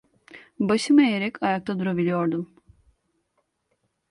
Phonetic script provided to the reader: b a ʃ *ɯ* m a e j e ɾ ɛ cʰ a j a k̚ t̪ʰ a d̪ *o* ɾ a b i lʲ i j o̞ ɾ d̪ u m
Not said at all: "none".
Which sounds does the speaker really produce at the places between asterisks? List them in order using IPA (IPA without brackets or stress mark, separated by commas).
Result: ɯ, u